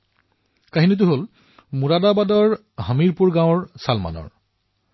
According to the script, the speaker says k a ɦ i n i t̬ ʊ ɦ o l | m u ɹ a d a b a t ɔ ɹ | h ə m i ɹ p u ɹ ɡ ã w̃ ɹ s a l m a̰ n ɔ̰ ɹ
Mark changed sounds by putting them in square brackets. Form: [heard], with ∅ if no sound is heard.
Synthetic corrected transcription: k a ɦ i n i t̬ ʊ ɦ o l | m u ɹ a d a b a [d] ɔ ɹ | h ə m i ɹ p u ɹ ɡ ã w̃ ɹ s a l m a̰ n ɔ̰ ɹ